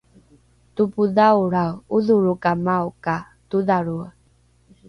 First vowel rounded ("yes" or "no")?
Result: yes